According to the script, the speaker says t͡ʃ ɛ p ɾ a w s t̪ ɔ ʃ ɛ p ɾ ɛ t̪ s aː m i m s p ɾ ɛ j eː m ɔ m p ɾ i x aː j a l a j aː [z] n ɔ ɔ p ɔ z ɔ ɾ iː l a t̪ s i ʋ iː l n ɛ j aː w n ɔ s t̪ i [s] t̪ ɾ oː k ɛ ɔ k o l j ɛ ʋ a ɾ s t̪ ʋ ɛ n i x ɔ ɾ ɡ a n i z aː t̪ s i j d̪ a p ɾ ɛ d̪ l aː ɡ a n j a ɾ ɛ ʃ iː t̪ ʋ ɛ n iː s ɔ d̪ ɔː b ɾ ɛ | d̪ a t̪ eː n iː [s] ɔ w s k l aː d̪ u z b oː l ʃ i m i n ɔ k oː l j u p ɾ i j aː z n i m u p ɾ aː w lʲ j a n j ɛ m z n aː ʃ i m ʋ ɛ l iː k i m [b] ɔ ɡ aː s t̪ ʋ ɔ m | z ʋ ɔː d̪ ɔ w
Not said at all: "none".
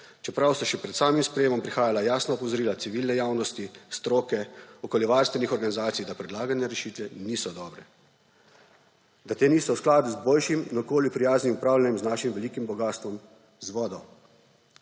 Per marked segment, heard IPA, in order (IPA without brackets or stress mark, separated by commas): s, s, s, b